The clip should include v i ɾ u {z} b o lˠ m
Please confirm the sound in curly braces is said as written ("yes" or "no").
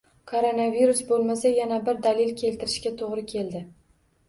no